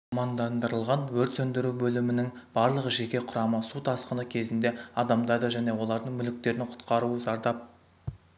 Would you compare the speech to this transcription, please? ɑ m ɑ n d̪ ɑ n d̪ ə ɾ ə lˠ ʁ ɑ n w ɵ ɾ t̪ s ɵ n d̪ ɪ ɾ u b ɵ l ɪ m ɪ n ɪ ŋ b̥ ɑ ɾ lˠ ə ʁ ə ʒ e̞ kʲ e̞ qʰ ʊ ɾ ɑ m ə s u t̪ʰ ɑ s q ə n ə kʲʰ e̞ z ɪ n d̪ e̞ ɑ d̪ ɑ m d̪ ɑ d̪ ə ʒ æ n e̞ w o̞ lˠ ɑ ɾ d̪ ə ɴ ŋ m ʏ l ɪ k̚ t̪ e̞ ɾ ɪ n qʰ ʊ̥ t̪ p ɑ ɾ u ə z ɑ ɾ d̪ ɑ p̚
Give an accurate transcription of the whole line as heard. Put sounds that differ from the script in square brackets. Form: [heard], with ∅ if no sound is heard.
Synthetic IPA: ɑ m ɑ n d̪ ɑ n d̪ ə ɾ ə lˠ ʁ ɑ n w ɵ ɾ t̪ s ɵ n d̪ ɪ ɾ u b ɵ l ɪ m ɪ n ɪ ŋ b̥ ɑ ɾ lˠ ə ʁ ə ʒ e̞ kʲ e̞ qʰ ʊ ɾ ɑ m ə s u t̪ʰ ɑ s q ə n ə kʲʰ e̞ z ɪ n d̪ e̞ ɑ d̪ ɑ m d̪ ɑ d̪ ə ʒ æ n e̞ w o̞ lˠ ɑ ɾ d̪ ə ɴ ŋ m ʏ l ɪ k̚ t̪ e̞ ɾ ɪ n qʰ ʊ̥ t̪ [q] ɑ ɾ u ə z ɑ ɾ d̪ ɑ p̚